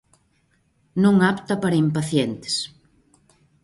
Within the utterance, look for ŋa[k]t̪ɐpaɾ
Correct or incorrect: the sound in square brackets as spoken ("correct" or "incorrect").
incorrect